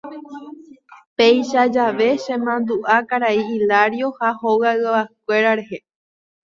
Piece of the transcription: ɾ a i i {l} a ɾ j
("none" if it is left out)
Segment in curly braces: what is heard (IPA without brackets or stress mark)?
l